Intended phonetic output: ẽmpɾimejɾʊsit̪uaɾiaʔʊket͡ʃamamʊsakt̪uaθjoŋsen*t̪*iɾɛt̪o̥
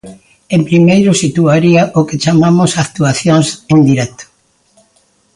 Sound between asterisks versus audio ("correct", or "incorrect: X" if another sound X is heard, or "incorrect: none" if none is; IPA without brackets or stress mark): incorrect: d̪